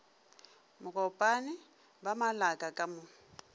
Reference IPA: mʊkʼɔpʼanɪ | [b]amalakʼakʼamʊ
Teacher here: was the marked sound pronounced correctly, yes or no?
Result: yes